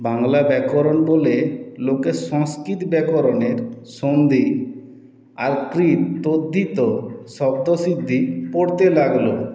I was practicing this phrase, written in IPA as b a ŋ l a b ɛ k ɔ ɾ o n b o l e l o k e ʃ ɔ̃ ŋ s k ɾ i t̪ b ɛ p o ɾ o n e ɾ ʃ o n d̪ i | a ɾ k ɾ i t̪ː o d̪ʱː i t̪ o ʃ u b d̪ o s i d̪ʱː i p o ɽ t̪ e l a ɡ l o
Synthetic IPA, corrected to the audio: b a ŋ l a b ɛ k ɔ ɾ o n b o l e l o k e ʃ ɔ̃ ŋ s k ɾ i t̪ b ɛ k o ɾ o n e ɾ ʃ o n d̪ i | a ɾ k ɾ i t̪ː o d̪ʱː i t̪ o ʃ ɔ b d̪ o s i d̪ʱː i p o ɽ t̪ e l a ɡ l o

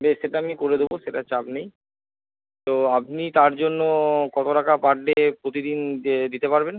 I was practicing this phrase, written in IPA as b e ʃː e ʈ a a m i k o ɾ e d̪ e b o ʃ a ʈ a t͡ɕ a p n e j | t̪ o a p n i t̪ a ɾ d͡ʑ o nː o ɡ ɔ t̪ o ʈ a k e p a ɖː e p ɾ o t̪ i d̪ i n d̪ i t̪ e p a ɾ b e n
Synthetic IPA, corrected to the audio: b e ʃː e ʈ a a m i k o ɾ e d̪ e b o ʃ e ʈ a t͡ɕ a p n e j | t̪ o a p n i t̪ a ɾ d͡ʑ o nː o k ɔ t̪ o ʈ a k a p a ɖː e p ɾ o t̪ i d̪ i n d̪ i t̪ e p a ɾ b e n

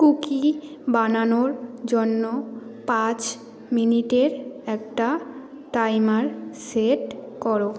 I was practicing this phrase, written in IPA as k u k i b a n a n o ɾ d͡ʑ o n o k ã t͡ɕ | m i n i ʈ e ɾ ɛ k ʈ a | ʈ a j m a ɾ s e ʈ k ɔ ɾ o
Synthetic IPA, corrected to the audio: k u k i b a n a n o ɾ d͡ʑ o nː o p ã t͡ɕ | m i n i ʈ e ɾ ɛ k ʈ a | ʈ a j m a ɾ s e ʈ k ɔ ɾ o

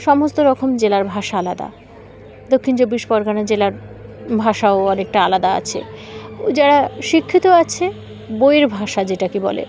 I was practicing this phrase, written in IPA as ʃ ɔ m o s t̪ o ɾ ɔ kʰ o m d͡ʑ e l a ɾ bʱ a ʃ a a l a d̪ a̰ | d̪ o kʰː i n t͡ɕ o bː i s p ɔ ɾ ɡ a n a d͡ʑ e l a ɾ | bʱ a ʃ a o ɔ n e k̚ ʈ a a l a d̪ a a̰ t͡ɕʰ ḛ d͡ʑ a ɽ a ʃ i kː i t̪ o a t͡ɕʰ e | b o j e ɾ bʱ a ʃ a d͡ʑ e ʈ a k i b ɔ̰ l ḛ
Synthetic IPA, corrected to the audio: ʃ ɔ m o s t̪ o ɾ ɔ kʰ o m d͡ʑ e l a ɾ bʱ a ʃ a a l a d̪ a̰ | d̪ o kʰː i n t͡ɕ o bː i ʃ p ɔ ɾ ɡ a n a d͡ʑ e l a ɾ | bʱ a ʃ a o ɔ n e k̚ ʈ a a l a d̪ a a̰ t͡ɕʰ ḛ d͡ʑ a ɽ a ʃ i kʰː i t̪ o a t͡ɕʰ e | b o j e ɾ bʱ a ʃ a d͡ʑ e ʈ a k i b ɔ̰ l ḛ

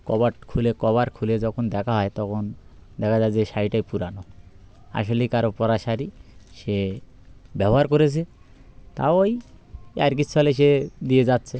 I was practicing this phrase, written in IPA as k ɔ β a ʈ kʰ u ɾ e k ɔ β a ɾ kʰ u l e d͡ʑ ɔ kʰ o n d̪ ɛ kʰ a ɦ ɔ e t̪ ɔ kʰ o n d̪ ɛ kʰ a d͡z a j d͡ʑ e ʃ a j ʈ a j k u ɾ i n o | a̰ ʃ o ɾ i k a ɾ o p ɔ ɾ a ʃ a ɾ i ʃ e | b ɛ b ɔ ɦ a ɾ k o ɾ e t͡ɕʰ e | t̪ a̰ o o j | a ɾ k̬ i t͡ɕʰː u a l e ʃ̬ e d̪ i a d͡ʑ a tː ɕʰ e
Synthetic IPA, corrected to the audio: k ɔ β a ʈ kʰ u l e k ɔ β a ɾ kʰ u l e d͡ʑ ɔ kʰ o n d̪ ɛ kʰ a ɦ ɔ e t̪ ɔ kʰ o n d̪ ɛ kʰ a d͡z a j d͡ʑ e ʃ a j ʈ a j p u ɾ a n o | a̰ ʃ o l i k a ɾ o p ɔ ɾ a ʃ a ɾ i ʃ e | b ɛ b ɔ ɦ a ɾ k o ɾ e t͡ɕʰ e | t̪ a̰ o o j | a ɾ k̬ i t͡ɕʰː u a l e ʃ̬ e d̪ i e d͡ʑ a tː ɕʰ e

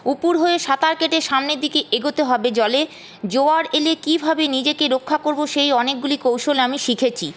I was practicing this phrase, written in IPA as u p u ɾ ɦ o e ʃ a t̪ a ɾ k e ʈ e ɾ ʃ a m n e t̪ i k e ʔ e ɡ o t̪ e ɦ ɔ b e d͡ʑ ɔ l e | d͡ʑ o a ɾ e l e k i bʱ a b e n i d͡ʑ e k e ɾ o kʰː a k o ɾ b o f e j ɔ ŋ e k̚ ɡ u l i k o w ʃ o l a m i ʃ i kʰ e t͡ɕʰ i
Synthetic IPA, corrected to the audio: u p u ɾ ɦ o e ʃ a t̪ a ɾ k e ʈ e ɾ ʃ a m n e d̪ i k e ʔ e ɡ o t̪ e ɦ ɔ b e d͡ʑ ɔ l e | d͡ʑ o a ɾ e l e k i bʱ a b e n i d͡ʑ e k e ɾ o kʰː a k o ɾ b o ʃ e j ɔ n e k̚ ɡ u l i k o w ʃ o l a m i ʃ i kʰ e t͡ɕʰ i

